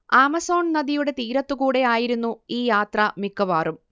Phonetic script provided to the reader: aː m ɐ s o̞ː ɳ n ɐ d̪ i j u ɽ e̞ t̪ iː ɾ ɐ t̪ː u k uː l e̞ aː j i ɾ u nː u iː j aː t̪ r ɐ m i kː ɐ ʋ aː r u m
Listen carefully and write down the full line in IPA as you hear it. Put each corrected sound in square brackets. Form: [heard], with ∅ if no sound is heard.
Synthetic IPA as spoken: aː m ɐ s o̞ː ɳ n ɐ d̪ i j u ɽ e̞ t̪ iː ɾ ɐ t̪ː u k uː [ɽ] e̞ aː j i ɾ u nː u iː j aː t̪ r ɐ m i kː ɐ ʋ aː r u m